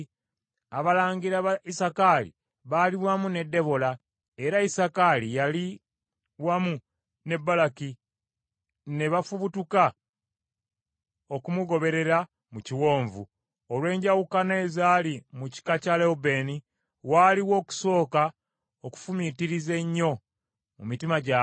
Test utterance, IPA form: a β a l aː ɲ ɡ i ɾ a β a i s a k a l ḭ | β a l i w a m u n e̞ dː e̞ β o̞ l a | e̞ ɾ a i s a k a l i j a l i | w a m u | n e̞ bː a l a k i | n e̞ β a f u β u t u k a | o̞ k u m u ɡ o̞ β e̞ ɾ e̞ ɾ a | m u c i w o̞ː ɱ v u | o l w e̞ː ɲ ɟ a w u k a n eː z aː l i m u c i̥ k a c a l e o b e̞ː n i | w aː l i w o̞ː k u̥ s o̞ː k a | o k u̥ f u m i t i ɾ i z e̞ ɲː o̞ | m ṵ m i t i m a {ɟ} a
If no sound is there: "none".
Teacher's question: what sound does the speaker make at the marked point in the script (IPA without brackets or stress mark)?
ɟ